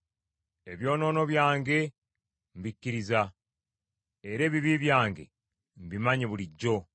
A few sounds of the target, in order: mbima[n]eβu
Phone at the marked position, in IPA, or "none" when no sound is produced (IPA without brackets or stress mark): ɲ